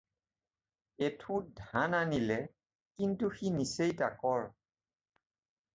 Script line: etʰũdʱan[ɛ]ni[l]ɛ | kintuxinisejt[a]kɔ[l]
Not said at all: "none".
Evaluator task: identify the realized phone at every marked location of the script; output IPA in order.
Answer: a, l, a, ɹ

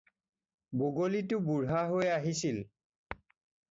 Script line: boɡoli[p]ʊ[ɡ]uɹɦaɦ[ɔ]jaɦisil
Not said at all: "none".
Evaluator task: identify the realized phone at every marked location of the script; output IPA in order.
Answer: t, b, o

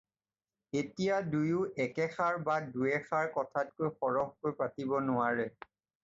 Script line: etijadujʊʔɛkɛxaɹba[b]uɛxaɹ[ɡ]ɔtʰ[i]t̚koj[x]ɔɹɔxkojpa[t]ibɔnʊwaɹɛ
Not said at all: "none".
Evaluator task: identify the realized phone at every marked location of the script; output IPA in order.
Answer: d, k, a, x, t

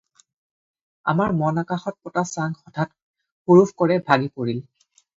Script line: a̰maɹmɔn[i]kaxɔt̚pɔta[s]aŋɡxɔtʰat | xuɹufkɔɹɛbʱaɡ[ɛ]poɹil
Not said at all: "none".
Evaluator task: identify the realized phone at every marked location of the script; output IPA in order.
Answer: a, s, i

